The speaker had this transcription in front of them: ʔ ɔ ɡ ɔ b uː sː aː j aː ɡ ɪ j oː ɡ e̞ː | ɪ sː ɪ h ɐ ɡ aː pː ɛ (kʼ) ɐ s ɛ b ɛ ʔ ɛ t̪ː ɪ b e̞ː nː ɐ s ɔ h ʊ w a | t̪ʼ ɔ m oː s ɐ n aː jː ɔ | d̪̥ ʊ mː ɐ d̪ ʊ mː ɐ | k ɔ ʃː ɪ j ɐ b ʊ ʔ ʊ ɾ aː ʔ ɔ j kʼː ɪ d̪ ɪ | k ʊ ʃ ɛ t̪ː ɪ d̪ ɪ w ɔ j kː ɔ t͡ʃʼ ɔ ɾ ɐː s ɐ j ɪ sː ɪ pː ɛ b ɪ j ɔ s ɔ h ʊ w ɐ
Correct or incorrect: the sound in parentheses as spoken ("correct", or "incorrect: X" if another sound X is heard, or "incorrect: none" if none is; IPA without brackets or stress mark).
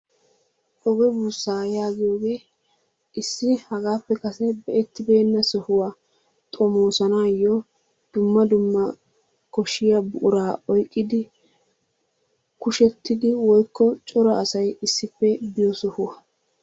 incorrect: k